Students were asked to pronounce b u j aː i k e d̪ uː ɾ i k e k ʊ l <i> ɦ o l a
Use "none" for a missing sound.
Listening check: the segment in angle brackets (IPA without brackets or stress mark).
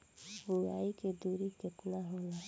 a